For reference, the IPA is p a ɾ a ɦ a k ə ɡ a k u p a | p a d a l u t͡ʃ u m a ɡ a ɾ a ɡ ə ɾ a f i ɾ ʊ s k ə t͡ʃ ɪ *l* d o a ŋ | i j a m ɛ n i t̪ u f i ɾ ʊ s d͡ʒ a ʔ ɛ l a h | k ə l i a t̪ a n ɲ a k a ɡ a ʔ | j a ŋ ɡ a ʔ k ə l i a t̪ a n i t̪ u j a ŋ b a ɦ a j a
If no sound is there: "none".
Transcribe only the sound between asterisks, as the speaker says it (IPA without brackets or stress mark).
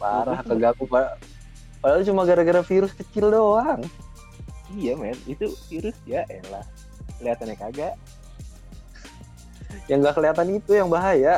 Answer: l